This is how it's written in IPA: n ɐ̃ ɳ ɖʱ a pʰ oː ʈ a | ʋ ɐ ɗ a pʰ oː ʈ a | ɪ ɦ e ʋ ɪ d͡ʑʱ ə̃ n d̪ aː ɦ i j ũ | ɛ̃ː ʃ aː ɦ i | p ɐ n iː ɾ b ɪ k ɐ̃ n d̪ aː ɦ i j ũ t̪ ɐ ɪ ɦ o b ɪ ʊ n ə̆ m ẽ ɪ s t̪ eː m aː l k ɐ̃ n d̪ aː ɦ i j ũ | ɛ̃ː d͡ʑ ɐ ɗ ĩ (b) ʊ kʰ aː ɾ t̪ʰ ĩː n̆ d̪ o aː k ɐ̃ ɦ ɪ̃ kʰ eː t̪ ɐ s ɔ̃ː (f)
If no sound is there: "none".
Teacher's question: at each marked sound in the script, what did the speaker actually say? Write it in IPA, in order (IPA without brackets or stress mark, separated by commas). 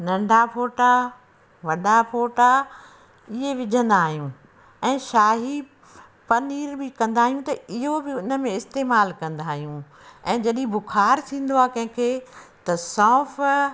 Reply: b, f